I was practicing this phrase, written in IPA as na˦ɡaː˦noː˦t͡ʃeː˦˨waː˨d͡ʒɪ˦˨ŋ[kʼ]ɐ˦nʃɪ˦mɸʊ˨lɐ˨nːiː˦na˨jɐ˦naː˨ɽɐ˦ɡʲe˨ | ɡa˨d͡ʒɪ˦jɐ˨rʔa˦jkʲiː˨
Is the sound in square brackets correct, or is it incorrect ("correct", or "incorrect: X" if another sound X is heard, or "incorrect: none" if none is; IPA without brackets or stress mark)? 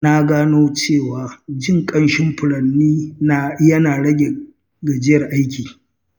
correct